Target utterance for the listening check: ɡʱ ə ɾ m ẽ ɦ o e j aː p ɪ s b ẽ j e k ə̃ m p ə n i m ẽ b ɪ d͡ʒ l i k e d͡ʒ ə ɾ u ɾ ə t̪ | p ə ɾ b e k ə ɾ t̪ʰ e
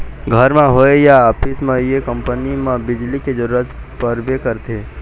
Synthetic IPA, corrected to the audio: ɡʱ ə ɾ m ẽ ɦ o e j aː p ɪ s m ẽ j e k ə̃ m p ə n i m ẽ b ɪ d͡ʒ l i k e d͡ʒ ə ɾ u ɾ ə t̪ | p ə ɾ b e k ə ɾ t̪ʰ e